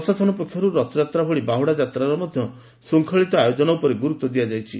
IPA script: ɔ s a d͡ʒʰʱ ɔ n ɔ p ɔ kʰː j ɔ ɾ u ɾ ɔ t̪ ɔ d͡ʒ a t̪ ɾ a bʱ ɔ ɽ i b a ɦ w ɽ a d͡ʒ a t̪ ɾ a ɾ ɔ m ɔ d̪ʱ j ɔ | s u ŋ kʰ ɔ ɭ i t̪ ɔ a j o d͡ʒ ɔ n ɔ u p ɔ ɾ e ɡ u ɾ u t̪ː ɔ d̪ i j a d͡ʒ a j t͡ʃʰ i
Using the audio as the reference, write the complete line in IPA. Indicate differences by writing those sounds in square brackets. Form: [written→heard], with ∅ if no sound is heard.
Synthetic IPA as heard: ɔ s a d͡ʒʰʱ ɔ n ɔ p ɔ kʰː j ɔ ɾ u ɾ ɔ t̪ ɔ d͡ʒ a t̪ ɾ a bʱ ɔ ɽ i b a ɦ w ɽ a d͡ʒ a t̪ ɾ a ɾ ɔ m ɔ d̪ʱ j ɔ | s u ŋ kʰ ɔ ɭ i t̪ ɔ a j o d͡ʒ ɔ n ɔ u p ɔ ɾ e ɡ u ɾ u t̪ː ɔ d̪ i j a d͡ʒ a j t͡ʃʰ i